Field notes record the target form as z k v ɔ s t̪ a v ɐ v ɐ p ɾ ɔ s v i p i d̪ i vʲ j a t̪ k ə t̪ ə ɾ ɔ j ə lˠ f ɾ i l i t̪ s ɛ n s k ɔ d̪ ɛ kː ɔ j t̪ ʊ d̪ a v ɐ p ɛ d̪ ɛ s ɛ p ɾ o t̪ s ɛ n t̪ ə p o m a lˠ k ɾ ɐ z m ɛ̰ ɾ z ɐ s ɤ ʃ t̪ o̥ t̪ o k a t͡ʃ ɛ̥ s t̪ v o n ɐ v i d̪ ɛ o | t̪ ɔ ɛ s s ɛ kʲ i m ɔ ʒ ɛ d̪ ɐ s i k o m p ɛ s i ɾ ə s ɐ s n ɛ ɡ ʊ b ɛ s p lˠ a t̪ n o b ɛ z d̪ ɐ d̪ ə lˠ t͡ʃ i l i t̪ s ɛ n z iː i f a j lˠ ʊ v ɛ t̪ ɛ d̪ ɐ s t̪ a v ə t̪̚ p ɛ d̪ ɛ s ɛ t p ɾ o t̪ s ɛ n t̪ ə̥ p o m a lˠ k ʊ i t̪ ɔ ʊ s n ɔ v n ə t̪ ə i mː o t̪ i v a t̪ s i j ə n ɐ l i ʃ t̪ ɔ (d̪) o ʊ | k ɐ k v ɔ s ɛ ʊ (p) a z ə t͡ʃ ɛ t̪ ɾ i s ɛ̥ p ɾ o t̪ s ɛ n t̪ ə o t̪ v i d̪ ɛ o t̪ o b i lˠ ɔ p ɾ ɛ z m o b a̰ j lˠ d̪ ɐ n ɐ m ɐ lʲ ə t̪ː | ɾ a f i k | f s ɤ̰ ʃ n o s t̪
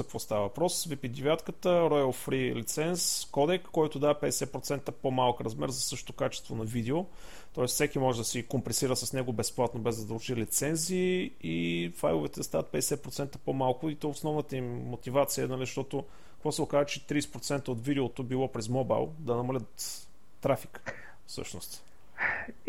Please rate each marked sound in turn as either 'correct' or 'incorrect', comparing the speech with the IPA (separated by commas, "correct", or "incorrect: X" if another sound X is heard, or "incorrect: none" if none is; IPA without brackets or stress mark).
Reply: incorrect: t̪, incorrect: k